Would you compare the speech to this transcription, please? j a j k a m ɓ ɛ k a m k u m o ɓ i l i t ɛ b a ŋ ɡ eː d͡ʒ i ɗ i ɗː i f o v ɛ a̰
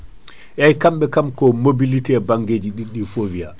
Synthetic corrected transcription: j a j k a m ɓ ɛ k a m k ɔ m o b i l i t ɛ b a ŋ ɡ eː d͡ʒ i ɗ i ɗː i f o v i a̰